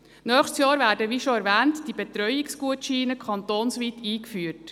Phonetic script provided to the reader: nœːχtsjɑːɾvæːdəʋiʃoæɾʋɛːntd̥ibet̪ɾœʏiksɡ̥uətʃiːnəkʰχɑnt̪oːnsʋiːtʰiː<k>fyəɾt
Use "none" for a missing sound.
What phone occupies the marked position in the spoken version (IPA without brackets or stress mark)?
k